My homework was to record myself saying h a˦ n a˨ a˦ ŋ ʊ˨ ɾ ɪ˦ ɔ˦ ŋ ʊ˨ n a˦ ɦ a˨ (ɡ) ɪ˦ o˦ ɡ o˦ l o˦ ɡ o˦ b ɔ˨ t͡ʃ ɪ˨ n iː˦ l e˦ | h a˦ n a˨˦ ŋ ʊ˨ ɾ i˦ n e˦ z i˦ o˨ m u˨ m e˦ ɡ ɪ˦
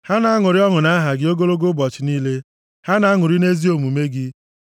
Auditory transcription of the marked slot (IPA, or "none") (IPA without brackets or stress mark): ɡ